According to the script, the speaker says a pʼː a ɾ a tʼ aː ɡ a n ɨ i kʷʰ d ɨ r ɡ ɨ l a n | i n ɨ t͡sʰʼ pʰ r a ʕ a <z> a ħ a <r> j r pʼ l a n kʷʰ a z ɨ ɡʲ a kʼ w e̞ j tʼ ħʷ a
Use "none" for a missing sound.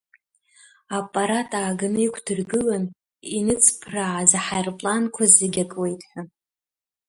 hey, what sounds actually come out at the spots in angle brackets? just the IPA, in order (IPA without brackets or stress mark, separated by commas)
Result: z, none